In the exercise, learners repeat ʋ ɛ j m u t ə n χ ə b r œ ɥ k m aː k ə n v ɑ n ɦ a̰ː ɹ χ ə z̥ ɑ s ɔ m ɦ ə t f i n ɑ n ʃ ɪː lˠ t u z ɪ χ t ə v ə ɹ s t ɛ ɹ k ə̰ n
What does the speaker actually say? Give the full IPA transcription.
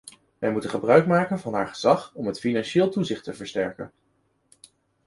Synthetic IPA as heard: ʋ ɛ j m u t ə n χ ə b r œ ɥ k m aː k ə n v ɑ n ɦ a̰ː ɹ χ ə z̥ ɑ χ ɔ m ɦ ə t f i n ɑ n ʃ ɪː lˠ t u z ɪ χ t ə v ə ɹ s t ɛ ɹ k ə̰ n